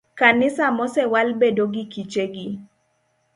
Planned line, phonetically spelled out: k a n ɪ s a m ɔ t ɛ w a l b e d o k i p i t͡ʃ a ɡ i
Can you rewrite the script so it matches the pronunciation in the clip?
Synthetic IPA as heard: k a n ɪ s a m ɔ s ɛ w a l b e d o ɡ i k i t͡ʃ e ɡ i